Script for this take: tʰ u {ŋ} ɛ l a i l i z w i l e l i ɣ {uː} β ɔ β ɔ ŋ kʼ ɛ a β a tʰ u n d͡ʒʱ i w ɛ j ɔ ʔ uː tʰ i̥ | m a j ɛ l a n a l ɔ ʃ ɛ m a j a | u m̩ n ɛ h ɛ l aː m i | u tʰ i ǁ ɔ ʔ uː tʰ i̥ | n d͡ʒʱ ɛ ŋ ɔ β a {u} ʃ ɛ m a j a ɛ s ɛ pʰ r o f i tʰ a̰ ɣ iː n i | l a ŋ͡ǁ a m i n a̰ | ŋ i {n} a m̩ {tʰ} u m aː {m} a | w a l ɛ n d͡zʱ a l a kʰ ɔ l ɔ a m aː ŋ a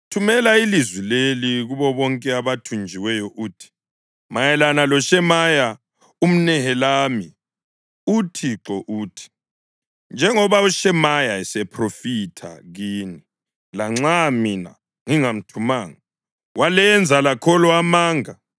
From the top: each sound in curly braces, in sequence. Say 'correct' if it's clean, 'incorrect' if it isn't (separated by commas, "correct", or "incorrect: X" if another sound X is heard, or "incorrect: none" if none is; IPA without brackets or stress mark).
incorrect: m, incorrect: u, correct, incorrect: ŋ, correct, incorrect: ŋ